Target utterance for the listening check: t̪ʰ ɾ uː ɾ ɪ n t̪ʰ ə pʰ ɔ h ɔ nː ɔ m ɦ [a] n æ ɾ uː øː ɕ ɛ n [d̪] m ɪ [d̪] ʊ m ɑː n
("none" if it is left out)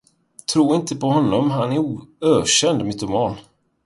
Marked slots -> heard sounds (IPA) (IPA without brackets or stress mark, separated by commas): a, d̪, t̪